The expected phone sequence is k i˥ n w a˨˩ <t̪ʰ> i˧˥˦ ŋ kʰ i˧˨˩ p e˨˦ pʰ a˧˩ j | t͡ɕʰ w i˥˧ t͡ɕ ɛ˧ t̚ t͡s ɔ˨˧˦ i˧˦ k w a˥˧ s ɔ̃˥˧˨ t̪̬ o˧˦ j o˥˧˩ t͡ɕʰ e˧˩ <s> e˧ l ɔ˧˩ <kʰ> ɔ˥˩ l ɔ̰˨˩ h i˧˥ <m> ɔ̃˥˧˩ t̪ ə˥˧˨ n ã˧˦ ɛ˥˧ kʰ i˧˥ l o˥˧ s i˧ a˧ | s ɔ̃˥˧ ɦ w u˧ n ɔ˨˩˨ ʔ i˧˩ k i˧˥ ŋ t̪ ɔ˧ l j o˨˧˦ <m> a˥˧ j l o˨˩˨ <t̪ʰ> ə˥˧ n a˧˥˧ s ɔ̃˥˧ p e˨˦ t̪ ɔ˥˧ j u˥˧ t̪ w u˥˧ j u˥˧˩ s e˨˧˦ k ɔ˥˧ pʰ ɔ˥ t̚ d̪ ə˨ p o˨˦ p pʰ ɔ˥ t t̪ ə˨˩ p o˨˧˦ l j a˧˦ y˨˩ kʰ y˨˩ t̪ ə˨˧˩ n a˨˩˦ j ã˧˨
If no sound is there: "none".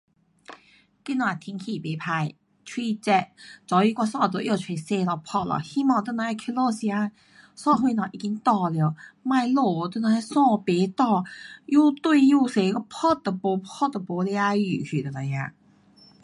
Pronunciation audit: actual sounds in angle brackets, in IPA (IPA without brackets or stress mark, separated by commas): t̪ʰ, s, pʰ, m, m, t̪